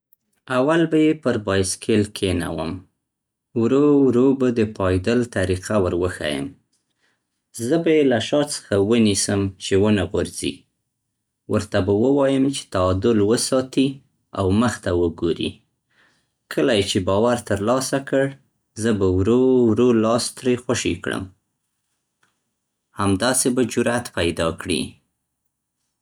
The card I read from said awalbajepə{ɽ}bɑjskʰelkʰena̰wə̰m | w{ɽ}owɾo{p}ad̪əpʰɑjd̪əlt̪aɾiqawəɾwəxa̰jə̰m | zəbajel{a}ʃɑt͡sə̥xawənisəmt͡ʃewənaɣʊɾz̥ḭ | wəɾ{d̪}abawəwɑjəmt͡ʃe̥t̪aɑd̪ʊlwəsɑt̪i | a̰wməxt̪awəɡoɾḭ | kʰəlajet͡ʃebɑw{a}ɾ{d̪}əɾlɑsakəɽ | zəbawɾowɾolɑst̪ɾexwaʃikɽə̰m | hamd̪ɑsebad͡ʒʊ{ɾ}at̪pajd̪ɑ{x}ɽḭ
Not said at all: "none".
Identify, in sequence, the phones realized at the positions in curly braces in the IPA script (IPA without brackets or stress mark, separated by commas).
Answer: ɾ, ɾ, b, a, t̪, a, t̪, ɾ, k